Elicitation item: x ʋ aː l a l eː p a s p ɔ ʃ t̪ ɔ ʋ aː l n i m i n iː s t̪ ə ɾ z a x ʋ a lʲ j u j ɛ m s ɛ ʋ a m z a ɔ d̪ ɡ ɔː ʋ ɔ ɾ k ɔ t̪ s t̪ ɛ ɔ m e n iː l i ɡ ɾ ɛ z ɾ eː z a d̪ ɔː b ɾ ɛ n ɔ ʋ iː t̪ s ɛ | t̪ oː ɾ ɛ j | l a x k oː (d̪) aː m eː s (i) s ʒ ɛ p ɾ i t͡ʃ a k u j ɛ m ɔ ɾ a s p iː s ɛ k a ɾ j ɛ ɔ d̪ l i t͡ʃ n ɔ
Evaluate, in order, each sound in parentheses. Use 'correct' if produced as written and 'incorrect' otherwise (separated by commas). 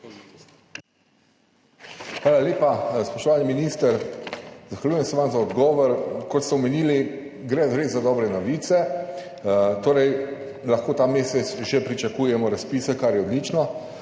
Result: incorrect, incorrect